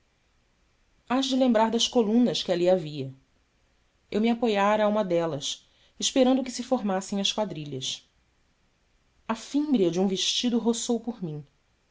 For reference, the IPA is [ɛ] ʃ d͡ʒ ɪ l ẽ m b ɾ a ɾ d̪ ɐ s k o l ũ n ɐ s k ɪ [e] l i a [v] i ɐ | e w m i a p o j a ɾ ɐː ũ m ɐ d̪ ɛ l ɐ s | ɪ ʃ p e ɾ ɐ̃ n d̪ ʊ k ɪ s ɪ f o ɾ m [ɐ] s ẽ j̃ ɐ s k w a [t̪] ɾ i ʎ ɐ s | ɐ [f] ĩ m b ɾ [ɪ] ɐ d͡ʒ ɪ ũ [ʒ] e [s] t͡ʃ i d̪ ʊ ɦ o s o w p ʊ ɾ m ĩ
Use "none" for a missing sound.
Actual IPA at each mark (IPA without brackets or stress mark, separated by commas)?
a, a, v, a, d̪, f, i, v, ʃ